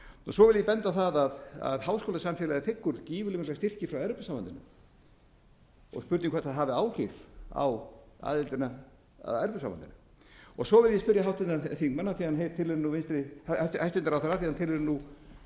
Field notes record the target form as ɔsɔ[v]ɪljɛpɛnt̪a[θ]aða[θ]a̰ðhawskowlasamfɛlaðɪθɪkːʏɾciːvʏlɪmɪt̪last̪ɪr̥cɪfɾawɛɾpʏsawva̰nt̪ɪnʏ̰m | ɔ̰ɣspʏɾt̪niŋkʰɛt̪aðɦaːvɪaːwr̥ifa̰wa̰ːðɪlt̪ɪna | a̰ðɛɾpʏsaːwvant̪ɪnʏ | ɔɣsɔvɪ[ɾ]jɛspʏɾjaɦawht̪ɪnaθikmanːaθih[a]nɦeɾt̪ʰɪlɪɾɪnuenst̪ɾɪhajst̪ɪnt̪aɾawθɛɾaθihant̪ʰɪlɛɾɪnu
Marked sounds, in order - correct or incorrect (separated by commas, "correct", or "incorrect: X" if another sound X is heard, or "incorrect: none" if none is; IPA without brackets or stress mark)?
correct, correct, incorrect: ð, incorrect: l, correct